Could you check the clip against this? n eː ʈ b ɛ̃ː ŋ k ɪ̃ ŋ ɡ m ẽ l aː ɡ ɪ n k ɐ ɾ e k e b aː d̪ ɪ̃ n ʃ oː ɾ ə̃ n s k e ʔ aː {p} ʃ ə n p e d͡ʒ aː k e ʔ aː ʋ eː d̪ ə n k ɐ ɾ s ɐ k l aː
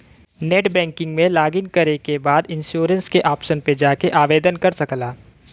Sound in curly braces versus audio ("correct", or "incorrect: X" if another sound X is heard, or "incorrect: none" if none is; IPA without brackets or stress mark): correct